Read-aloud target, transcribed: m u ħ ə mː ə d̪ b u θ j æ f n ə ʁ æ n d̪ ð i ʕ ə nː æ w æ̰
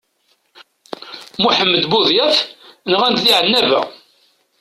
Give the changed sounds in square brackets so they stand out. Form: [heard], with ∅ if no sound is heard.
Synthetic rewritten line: m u ħ ə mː ə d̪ b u [ð] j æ f n ə ʁ æ n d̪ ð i ʕ ə nː æ [v] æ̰